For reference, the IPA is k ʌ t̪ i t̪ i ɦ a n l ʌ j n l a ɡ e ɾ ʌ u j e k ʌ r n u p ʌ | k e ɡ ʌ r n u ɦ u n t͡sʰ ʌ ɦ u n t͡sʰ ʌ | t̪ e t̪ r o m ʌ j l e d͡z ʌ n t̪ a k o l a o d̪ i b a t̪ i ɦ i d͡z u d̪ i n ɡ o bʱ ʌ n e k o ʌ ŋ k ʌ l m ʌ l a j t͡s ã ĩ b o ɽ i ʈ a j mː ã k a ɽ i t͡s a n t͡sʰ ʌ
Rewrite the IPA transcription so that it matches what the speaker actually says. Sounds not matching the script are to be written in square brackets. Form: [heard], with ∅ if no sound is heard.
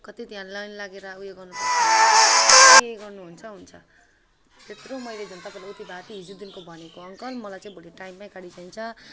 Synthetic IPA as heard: k ʌ t̪ i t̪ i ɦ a n l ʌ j n l a ɡ e ɾ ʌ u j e [ɡ] ʌ r n u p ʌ | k e ɡ ʌ r n u ɦ u n t͡sʰ ʌ ɦ u n t͡sʰ ʌ | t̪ e t̪ r o m ʌ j l e d͡z ʌ n t̪ a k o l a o [t̪] i b a t̪ i ɦ i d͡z u d̪ i n [k] o bʱ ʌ n e k o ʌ ŋ k ʌ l m ʌ l a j t͡s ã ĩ b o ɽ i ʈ a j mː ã k a ɽ i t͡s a n t͡sʰ ʌ